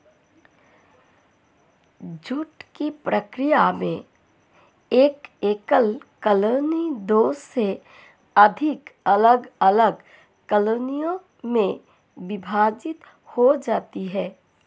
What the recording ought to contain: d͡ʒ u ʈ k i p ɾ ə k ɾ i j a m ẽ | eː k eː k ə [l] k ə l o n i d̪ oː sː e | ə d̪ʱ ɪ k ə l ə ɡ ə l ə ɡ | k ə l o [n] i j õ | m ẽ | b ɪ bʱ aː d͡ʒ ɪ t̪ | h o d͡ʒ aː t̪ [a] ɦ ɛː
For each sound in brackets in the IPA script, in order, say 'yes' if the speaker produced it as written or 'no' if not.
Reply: yes, yes, no

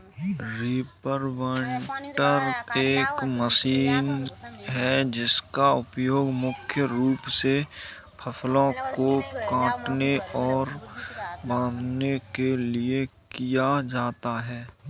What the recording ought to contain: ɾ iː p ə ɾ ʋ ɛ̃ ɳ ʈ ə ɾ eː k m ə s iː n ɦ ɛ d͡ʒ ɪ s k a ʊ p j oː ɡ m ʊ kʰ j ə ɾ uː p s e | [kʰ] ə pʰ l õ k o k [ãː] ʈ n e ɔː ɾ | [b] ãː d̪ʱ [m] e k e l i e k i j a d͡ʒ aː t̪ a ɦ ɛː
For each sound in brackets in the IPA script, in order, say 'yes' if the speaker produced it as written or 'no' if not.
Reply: no, yes, yes, no

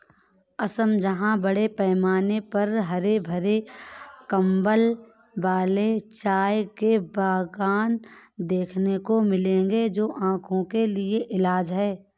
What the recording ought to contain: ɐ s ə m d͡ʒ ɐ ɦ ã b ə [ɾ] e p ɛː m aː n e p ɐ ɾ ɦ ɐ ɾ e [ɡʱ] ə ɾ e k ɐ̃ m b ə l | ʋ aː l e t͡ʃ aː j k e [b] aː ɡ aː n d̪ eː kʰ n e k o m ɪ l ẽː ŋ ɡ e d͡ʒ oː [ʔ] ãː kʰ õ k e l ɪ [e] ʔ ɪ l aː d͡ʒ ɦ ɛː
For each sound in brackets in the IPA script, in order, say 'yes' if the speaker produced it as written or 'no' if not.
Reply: no, no, yes, yes, yes

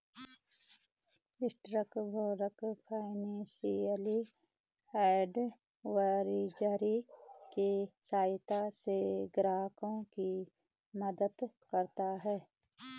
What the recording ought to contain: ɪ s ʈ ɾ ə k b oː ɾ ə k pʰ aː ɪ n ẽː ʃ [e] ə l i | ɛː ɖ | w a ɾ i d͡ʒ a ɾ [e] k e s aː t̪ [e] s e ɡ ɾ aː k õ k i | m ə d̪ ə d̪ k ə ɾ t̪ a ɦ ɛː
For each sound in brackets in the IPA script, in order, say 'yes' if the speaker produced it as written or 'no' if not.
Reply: no, no, no

